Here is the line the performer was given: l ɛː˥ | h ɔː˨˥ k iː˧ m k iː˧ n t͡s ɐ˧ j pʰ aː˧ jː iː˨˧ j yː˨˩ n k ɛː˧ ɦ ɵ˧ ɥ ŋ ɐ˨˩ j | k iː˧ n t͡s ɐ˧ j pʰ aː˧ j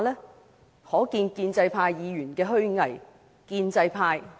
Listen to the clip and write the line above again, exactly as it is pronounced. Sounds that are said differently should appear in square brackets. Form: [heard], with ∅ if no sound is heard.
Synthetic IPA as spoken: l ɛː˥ | h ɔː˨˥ k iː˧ [n] k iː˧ n t͡s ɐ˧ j pʰ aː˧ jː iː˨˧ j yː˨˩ n k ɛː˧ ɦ [ɵ˥] ɥ ŋ ɐ˨˩ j | k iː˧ n t͡s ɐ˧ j pʰ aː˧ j